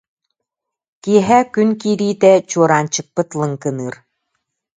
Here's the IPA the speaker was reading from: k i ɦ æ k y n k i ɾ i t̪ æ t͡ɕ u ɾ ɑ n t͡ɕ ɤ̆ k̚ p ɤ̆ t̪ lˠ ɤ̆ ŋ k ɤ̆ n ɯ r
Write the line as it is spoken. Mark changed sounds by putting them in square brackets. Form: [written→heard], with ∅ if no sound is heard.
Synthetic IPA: k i ɦ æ k y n k i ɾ i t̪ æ t͡ɕ u ɾ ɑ n t͡ɕ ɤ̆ k̚ p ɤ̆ t̪ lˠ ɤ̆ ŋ k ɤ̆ n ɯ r